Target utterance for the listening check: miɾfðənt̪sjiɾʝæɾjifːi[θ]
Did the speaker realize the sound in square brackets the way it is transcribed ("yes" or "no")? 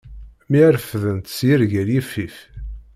no